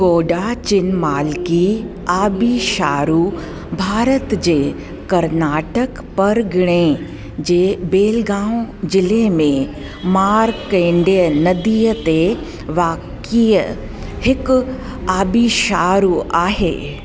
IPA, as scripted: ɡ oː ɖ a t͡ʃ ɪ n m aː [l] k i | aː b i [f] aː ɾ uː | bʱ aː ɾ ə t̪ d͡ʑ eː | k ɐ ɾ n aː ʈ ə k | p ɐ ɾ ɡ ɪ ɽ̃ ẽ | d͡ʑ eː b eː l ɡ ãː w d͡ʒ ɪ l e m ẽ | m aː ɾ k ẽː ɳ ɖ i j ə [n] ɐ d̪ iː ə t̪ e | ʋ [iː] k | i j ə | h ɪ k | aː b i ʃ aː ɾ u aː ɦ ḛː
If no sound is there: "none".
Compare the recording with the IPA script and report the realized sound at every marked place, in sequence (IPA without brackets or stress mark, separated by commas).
l, ʃ, n, aː